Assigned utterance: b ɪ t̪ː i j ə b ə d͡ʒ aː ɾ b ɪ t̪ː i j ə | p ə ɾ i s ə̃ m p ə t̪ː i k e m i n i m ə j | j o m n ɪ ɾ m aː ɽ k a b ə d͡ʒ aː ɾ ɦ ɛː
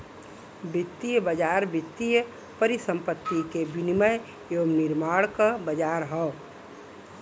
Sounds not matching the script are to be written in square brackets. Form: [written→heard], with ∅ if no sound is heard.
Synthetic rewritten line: b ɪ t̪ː i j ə b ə d͡ʒ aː ɾ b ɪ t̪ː i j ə | p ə ɾ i s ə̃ m p ə t̪ː i k e [m→b] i n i m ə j | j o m n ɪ ɾ m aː ɽ k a b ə d͡ʒ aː ɾ ɦ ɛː